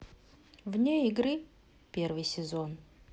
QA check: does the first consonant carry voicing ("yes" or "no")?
yes